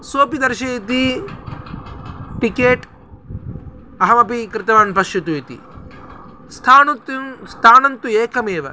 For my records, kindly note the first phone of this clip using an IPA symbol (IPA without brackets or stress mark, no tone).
s